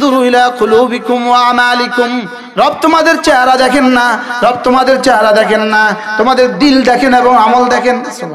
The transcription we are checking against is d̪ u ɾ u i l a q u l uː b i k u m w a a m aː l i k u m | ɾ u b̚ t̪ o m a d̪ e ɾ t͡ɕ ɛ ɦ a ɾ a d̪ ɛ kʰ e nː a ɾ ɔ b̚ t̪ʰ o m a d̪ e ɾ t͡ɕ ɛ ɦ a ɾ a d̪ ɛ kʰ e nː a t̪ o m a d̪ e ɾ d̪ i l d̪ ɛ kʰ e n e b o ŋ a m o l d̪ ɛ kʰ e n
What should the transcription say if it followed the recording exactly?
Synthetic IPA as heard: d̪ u ɾ u i l a q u l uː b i k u m w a a m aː l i k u m | ɾ ɔ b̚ t̪ o m a d̪ e ɾ t͡ɕ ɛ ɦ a ɾ a d̪ ɛ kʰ e nː a ɾ ɔ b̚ t̪ o m a d̪ e ɾ t͡ɕ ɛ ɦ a ɾ a d̪ ɛ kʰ e nː a t̪ o m a d̪ e ɾ d̪ i l d̪ ɛ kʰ e n e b o ŋ a m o l d̪ ɛ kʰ e n